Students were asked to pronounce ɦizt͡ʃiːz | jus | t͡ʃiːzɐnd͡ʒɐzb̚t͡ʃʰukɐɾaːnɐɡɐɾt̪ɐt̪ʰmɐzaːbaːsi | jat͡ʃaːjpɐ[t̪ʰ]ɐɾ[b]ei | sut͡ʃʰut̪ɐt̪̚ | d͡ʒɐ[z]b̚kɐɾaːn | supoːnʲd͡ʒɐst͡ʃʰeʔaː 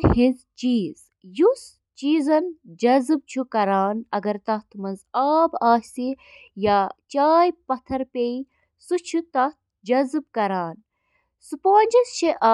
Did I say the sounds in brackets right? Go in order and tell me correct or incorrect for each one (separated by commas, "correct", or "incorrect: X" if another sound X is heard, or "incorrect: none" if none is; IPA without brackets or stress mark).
correct, incorrect: p, correct